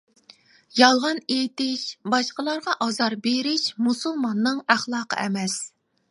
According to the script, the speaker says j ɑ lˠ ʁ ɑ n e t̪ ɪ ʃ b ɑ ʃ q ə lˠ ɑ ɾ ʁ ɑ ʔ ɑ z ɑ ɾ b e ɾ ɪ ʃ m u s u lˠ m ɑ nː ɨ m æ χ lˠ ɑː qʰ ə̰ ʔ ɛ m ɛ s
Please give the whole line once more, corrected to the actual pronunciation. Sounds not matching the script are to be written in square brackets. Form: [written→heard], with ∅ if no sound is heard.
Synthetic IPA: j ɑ lˠ ʁ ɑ n e t̪ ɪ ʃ b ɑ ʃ q ə lˠ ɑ ɾ ʁ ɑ ʔ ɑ z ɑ ɾ b e ɾ ɪ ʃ m u s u lˠ m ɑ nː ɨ [m→ŋ] æ χ lˠ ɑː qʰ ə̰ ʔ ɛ m ɛ s